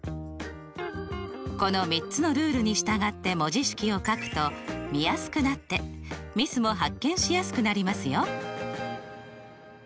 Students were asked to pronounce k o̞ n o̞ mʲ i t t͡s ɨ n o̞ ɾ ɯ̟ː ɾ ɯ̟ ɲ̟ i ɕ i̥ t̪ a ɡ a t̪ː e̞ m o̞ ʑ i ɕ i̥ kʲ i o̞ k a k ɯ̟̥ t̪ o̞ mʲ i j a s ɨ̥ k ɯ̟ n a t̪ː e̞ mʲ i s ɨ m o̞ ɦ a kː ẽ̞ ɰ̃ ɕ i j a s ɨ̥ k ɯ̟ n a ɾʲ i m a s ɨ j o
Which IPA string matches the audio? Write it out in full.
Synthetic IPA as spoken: k o̞ n o̞ mʲ i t t͡s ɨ n o̞ ɾ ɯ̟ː ɾ ɯ̟ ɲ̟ i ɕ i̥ t̪ a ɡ a t̪ː e̞ m o̞ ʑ i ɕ i̥ kʲ i o̞ k a k ɯ̟̥ t̪ o̞ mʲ i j a s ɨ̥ k ɯ̟ n a t̪ː e̞ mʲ i s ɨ m o̞ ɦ a kː ẽ̞ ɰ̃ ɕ i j a s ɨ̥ k ɯ̟ n a ɾʲ i m a s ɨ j o